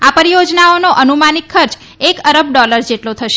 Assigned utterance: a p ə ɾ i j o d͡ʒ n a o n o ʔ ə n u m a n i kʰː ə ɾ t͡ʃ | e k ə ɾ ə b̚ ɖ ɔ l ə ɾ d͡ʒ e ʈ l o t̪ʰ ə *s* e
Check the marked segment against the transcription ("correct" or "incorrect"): incorrect